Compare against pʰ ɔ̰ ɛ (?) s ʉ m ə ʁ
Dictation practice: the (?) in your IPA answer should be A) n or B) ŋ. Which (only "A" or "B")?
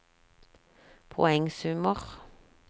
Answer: B